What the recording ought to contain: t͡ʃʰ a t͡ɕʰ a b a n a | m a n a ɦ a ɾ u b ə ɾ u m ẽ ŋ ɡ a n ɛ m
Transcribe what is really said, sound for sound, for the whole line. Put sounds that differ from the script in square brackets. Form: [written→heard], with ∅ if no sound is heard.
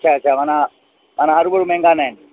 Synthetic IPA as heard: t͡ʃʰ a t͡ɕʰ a [b→m] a n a | m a n a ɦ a ɾ u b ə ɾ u m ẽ ŋ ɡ a n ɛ [m→n]